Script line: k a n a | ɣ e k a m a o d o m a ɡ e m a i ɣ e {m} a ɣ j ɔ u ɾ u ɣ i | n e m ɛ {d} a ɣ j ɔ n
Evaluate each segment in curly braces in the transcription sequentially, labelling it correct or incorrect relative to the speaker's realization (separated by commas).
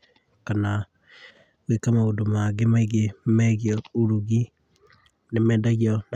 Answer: correct, correct